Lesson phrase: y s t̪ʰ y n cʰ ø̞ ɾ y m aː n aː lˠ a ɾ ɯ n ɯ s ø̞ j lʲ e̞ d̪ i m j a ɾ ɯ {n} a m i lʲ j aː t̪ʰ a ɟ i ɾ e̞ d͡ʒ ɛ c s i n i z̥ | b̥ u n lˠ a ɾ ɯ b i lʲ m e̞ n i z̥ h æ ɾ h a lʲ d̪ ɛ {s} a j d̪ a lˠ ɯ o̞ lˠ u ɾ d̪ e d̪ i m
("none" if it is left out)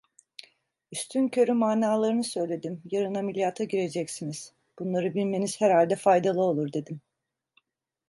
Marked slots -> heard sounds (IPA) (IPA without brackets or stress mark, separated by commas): n, f